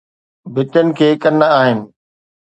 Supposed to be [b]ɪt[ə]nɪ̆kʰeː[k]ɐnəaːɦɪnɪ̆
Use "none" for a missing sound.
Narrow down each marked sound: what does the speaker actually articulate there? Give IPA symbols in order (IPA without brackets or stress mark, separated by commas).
b, ə, k